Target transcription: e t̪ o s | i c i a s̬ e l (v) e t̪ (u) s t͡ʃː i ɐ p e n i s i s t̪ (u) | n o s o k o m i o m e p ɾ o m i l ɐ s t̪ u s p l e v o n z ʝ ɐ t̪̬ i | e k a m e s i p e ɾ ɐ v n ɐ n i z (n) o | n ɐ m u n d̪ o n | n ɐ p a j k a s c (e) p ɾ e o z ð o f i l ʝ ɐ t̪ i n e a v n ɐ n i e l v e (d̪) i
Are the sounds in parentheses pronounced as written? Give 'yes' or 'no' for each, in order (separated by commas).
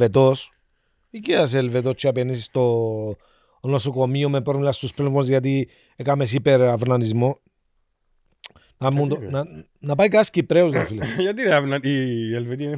yes, no, no, no, no, no